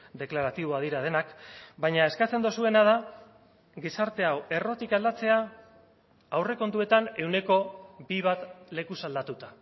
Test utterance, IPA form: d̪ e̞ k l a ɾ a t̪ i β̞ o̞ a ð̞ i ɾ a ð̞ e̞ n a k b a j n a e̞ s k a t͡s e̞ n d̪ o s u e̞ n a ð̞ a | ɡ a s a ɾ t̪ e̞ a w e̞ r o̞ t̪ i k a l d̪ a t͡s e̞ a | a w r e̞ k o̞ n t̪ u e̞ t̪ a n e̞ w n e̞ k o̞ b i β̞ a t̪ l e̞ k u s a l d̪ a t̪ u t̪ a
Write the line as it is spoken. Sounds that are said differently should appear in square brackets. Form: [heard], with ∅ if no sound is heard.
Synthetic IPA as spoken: d̪ e̞ k l a ɾ a t̪ i β̞ o̞ a ð̞ i ɾ a ð̞ e̞ n a k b a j [ɲ] a e̞ s k a t͡s e̞ n d̪ o s u e̞ n a ð̞ a | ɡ [i] s a ɾ t̪ e̞ a w e̞ r o̞ t̪ i k a l d̪ a t͡s e̞ a | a w r e̞ k o̞ n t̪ u e̞ t̪ a n e̞ w n e̞ k o̞ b i β̞ a t̪ l e̞ k u s a l d̪ a t̪ u t̪ a